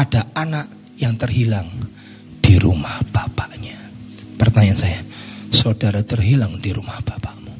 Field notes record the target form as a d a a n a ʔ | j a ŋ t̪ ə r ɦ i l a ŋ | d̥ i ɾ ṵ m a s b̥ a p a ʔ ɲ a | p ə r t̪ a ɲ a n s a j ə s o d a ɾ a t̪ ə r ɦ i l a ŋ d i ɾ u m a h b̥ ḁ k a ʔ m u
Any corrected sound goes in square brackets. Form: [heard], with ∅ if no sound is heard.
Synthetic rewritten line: a d a a n a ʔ | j a ŋ t̪ ə r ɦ i l a ŋ | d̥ i ɾ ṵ m a [h] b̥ a p a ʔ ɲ a | p ə r t̪ a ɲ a n s a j [a] s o d a ɾ a t̪ ə r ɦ i l a ŋ d i ɾ u m a h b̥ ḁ [p] a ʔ m u